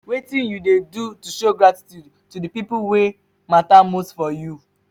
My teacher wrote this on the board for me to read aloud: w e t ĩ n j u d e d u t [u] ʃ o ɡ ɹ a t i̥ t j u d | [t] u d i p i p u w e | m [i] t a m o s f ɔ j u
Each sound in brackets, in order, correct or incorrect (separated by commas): correct, correct, incorrect